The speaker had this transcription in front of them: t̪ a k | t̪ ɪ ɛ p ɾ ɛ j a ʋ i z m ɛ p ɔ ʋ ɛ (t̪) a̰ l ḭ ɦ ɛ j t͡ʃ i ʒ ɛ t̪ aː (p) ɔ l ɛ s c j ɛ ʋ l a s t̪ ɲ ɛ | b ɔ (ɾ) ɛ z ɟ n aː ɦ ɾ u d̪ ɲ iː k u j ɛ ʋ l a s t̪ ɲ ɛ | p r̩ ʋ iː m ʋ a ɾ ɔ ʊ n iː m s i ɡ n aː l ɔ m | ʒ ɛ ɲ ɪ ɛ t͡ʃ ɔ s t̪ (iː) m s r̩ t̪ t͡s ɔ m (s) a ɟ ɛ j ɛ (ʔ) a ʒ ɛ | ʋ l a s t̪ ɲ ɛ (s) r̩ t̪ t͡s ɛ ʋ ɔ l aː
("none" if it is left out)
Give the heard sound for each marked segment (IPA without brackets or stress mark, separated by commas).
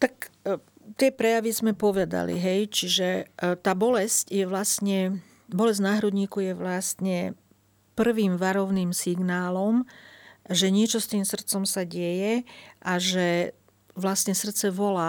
d̪, b, l, iː, s, ʔ, s